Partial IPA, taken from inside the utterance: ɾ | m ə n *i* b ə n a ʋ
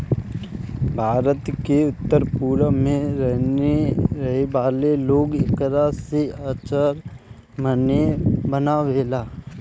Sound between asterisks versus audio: incorrect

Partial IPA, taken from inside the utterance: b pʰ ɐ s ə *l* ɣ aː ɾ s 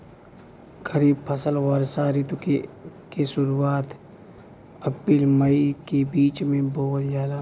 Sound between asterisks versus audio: correct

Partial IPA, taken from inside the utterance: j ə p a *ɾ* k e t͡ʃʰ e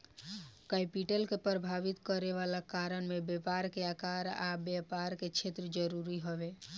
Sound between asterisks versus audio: correct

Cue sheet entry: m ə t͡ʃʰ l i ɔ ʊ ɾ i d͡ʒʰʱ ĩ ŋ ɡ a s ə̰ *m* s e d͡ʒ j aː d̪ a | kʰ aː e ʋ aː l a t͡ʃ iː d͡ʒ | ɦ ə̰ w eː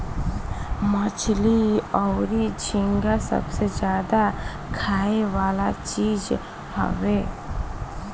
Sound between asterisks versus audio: incorrect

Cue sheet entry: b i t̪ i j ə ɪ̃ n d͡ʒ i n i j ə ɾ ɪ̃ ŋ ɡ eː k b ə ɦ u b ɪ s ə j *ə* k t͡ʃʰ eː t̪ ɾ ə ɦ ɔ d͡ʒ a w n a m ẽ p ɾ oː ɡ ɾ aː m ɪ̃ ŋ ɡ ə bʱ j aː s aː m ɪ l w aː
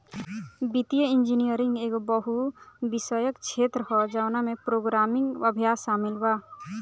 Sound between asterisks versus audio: correct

